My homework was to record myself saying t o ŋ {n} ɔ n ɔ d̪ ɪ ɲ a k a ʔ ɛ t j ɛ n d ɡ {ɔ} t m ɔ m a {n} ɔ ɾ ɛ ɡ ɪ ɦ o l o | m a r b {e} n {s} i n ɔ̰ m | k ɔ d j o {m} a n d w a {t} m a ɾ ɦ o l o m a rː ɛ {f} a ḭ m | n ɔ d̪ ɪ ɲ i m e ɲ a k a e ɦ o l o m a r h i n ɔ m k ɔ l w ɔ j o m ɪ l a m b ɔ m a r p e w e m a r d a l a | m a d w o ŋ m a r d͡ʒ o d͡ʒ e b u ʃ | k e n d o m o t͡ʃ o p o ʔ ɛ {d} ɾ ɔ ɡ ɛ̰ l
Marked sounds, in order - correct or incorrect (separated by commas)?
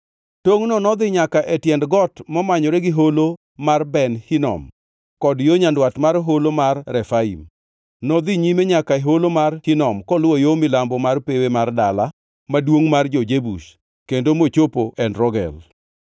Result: correct, correct, incorrect, incorrect, incorrect, incorrect, correct, correct, incorrect